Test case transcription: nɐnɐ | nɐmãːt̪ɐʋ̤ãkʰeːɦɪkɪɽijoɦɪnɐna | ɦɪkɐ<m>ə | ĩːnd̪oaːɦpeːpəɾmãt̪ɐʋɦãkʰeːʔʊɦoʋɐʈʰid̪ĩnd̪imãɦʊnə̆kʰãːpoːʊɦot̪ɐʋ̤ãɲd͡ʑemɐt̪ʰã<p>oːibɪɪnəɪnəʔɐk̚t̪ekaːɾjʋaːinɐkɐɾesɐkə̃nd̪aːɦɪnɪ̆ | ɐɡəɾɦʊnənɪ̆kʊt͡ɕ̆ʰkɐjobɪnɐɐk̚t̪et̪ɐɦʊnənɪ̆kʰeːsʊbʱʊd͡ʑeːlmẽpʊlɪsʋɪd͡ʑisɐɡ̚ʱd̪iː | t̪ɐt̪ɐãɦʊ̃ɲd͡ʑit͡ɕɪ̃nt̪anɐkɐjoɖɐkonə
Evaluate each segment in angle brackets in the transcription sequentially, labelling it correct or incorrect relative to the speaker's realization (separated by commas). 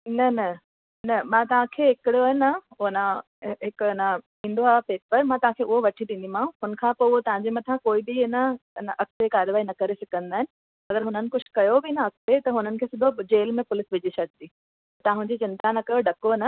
incorrect, incorrect